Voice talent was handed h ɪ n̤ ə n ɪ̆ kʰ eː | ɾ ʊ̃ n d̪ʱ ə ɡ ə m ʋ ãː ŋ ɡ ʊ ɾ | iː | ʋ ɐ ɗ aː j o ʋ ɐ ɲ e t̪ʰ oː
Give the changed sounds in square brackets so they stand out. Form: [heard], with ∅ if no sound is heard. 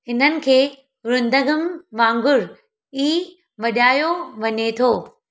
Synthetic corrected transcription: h ɪ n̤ ə n ɪ̆ kʰ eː | ɾ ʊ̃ n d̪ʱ ə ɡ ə m ʋ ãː ŋ ɡ ʊ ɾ | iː | ʋ ɐ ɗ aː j o ʋ ɐ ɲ e t̪ʰ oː